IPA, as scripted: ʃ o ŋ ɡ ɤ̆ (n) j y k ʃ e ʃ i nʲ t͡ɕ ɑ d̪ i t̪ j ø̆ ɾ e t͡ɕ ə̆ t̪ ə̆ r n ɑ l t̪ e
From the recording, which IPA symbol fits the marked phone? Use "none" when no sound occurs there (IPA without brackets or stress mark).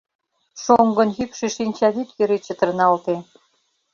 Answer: n